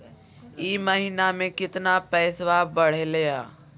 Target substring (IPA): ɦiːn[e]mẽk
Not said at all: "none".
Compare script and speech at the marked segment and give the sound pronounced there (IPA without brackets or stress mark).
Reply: a